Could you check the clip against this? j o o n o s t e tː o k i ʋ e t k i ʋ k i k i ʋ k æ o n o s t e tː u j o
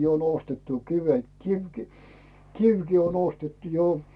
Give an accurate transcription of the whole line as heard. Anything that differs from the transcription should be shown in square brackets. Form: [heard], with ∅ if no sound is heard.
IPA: j o o n o s t e tː [u] k i ʋ e t k i ʋ k i k i ʋ k [i] o n o s t e tː u j o